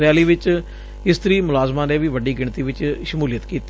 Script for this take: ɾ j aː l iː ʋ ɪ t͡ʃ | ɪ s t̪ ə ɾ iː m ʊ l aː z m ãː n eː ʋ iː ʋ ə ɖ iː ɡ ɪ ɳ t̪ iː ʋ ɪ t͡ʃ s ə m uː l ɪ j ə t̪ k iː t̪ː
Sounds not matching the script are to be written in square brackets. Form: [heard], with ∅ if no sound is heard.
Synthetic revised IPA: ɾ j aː l iː ʋ ɪ t͡ʃ | ɪ s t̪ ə ɾ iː m ʊ l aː z m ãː n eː ʋ iː ʋ ə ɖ iː ɡ ɪ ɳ t̪ iː ʋ ɪ t͡ʃ [ʃ] ə m uː l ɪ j ə t̪ k iː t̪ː